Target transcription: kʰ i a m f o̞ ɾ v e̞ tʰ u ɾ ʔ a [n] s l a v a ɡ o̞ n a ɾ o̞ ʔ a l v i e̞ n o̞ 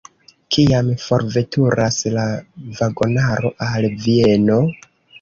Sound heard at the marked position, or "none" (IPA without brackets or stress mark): none